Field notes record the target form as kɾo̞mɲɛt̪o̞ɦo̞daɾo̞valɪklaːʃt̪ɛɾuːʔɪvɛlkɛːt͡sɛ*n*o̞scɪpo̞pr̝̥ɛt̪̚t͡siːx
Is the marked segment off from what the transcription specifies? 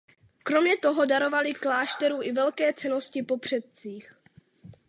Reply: no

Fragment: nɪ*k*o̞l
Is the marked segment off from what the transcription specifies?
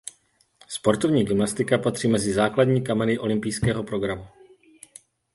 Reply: yes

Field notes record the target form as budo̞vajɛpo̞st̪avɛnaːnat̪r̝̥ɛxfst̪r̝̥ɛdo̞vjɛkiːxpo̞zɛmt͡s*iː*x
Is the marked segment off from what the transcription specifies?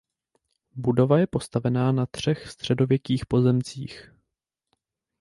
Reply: no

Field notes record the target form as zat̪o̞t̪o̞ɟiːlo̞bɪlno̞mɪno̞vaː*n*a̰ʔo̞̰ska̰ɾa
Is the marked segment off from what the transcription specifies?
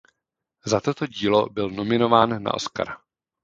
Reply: yes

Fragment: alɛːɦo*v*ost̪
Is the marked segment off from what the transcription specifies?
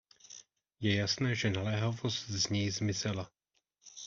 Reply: no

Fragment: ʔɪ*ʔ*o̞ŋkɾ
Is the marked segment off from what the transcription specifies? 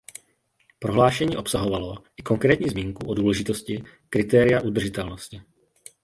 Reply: yes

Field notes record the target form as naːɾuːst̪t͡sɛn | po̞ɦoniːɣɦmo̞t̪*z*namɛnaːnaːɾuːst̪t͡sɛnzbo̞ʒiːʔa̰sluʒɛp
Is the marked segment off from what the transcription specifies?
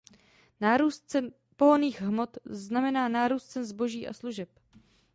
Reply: no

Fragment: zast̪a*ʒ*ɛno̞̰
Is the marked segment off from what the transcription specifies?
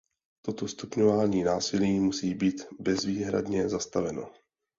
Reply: yes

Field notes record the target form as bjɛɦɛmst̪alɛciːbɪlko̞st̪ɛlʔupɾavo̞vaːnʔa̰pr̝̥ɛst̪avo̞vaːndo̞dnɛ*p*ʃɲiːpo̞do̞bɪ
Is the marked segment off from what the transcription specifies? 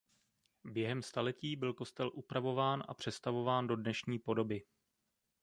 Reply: yes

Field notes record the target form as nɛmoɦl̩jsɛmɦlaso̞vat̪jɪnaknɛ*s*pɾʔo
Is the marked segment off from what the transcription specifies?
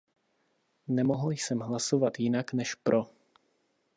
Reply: yes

